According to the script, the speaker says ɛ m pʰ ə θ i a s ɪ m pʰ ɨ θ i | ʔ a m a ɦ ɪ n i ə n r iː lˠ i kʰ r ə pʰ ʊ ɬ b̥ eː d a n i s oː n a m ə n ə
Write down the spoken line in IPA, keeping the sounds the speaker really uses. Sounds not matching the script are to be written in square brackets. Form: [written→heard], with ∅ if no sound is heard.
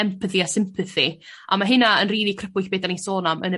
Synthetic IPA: ɛ m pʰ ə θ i a s ɪ m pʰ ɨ θ i | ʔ a m a ɦ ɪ n [i→a] ə n r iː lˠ i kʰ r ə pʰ ʊ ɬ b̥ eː d a n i s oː n a m ə n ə